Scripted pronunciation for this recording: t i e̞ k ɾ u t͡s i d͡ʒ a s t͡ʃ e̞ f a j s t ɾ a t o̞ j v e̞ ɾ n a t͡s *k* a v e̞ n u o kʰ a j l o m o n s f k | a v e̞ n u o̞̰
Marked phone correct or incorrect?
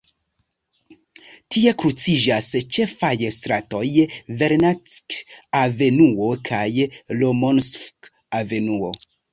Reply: correct